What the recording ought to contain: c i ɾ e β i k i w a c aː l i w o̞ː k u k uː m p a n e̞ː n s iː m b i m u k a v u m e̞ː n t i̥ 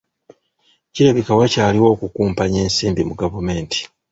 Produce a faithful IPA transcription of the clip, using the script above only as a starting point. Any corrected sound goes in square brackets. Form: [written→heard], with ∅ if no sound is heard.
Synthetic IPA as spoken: c i ɾ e β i k [i→a] w a c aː l i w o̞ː k u k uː m p a [n→ɲ] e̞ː n s iː m b i m u [k→ɡ] a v u m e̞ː n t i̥